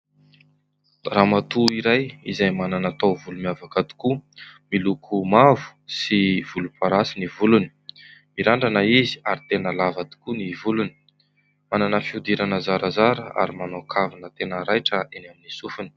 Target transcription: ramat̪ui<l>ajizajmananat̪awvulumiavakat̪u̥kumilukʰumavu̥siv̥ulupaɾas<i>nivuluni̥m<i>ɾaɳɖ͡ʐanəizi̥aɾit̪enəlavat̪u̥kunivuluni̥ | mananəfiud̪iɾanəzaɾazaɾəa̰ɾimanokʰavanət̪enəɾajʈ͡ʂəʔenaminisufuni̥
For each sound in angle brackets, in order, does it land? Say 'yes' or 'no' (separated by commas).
no, yes, yes